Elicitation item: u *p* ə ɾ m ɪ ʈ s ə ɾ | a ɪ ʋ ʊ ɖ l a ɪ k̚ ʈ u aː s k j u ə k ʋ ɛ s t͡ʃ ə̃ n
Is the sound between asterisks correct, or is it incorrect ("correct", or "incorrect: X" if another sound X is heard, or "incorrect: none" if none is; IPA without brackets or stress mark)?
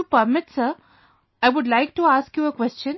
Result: correct